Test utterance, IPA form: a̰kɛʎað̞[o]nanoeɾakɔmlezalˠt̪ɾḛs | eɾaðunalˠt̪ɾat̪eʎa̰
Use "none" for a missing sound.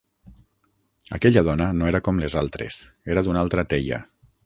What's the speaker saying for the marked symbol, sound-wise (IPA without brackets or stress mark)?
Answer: ɔ